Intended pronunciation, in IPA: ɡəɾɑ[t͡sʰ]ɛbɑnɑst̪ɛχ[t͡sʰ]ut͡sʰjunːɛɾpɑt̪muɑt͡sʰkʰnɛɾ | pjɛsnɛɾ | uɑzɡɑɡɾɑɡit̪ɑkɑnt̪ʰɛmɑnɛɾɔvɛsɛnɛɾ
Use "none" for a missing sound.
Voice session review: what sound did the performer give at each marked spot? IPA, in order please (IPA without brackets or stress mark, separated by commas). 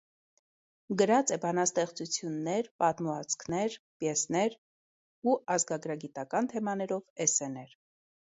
t͡s, t͡s